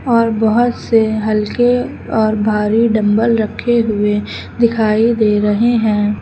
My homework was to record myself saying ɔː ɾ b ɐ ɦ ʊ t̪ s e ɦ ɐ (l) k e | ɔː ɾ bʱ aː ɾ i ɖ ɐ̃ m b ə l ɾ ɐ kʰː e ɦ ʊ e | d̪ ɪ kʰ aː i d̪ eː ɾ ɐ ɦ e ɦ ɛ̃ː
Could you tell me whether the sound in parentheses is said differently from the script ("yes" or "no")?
no